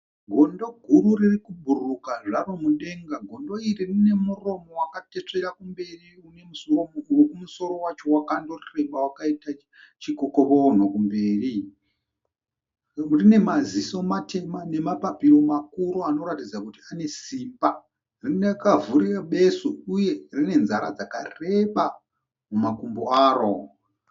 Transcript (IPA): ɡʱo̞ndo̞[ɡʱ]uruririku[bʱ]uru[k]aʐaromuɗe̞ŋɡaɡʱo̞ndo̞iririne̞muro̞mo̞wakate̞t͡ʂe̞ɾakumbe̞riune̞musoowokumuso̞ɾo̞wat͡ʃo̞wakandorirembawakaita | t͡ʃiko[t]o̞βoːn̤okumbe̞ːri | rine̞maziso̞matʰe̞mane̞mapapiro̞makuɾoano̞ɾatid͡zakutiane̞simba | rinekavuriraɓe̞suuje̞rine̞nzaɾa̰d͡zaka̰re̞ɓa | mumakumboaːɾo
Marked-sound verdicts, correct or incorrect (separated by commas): correct, correct, correct, incorrect